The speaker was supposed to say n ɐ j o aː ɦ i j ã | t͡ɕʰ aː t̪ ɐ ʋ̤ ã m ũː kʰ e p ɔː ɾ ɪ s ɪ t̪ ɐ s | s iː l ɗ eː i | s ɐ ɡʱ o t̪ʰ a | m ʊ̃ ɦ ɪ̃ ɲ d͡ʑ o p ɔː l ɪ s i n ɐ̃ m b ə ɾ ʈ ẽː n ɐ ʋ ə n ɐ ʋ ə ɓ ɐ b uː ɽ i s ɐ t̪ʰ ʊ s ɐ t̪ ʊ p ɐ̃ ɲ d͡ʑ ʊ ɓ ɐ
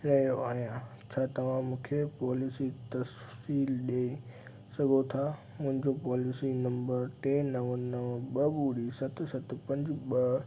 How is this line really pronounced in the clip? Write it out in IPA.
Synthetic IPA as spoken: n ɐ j o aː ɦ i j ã | t͡ɕʰ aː t̪ ɐ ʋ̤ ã m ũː kʰ e p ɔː l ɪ s i t̪ ɐ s | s iː l ɗ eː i | s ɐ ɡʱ o t̪ʰ a | m ʊ̃ ɦ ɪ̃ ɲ d͡ʑ o p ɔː l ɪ s i n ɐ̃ m b ə ɾ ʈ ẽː n ɐ ʋ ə n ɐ ʋ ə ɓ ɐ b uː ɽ i s ɐ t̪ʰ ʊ s ɐ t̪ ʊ p ɐ̃ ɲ d͡ʑ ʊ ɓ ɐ